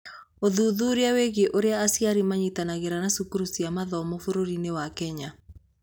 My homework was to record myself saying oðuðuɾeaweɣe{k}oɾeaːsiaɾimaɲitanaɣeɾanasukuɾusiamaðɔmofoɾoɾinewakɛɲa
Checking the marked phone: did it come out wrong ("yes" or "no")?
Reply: yes